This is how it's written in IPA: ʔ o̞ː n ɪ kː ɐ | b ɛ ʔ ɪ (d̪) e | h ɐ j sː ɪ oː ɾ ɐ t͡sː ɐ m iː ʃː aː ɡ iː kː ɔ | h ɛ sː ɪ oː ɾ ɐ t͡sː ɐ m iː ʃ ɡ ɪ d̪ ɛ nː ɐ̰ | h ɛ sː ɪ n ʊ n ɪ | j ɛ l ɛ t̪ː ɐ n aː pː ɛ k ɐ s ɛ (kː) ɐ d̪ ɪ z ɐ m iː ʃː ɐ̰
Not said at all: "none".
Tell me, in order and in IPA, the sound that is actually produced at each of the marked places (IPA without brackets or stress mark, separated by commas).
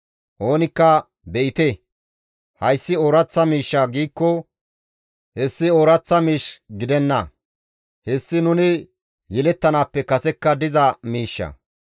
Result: t̪, kː